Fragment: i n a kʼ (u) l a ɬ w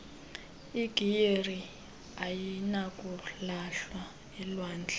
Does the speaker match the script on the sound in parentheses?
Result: yes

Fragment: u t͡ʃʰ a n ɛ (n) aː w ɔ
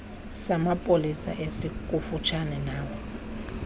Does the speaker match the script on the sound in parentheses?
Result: yes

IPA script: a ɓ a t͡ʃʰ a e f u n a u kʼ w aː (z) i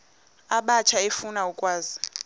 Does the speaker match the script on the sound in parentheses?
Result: yes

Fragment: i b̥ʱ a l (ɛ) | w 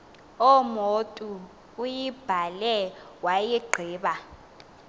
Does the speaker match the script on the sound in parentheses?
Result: yes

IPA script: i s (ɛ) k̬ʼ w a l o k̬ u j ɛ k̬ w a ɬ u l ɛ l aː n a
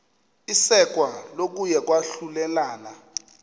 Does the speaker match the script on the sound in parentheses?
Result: yes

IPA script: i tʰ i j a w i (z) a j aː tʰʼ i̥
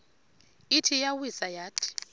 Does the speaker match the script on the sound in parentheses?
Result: no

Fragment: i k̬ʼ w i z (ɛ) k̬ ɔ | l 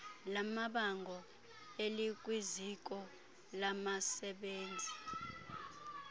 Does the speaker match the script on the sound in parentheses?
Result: no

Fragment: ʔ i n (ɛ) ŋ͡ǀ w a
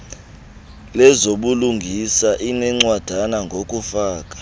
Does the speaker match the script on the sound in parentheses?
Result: yes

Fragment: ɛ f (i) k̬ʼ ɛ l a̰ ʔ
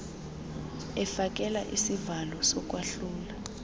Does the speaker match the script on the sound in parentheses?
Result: no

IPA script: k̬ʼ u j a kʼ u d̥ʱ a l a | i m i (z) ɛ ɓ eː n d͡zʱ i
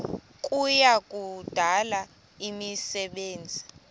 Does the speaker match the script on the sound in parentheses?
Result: no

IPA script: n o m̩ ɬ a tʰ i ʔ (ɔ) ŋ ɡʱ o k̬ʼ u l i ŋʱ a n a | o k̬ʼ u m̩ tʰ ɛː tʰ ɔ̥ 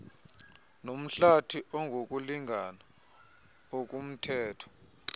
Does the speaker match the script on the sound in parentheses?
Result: yes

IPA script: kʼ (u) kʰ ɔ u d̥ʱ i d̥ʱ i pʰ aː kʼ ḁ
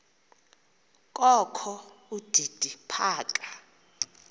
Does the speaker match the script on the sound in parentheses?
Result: no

